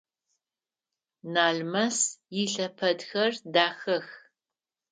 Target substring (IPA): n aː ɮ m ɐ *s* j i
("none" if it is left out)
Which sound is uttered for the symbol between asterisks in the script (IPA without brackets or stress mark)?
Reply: s